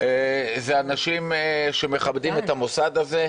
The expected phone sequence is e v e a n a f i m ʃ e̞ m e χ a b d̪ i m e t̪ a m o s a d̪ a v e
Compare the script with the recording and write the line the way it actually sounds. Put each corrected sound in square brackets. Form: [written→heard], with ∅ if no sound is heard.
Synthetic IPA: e [v→z] e a n a [f→ʃ] i m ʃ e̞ m e χ a b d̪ i m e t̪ a m o s a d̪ a [v→z] e